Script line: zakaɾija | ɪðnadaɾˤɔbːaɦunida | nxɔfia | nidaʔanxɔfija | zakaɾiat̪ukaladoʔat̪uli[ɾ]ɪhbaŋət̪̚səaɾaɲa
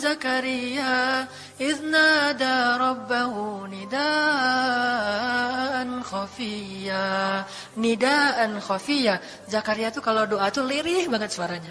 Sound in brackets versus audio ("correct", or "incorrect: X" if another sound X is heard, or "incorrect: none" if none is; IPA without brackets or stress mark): correct